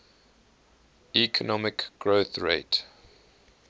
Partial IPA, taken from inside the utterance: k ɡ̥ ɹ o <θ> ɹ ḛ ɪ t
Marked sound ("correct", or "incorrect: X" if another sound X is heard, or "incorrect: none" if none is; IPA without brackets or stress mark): correct